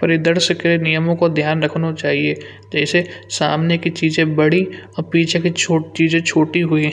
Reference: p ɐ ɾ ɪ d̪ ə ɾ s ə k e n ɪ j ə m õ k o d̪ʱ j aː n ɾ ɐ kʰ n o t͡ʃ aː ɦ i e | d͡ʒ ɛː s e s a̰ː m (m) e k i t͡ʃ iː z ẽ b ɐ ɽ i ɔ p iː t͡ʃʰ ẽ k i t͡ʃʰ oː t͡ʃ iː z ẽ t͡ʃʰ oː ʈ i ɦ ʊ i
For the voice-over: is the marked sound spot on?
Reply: no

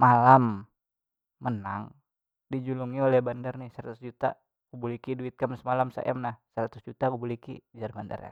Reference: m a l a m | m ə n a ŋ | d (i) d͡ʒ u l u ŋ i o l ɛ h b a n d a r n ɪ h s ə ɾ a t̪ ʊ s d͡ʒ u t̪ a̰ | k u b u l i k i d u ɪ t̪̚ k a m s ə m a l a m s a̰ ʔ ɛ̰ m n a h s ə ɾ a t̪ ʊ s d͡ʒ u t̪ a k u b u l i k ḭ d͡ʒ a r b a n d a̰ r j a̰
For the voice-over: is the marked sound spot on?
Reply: yes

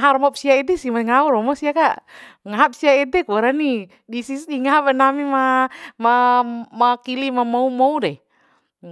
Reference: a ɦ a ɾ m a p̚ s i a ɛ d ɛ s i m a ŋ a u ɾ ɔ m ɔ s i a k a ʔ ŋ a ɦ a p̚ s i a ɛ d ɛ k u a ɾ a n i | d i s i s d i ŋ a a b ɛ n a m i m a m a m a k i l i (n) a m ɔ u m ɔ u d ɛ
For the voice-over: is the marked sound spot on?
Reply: no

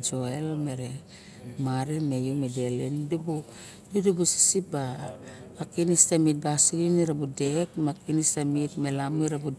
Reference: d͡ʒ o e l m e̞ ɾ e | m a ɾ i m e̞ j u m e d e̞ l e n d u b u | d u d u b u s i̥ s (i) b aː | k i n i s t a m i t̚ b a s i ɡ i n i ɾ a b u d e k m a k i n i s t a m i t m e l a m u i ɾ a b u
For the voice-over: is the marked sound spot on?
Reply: yes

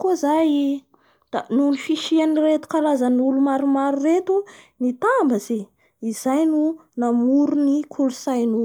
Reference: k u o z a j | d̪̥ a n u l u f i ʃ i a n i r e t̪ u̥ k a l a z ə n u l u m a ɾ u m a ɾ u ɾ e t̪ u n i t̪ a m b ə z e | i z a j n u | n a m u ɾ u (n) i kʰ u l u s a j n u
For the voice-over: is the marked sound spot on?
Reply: yes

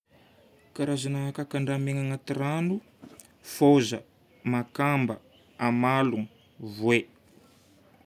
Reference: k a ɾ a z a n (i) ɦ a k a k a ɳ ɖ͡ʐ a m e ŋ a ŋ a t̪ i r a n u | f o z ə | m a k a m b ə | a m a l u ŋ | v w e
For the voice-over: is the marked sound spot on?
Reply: no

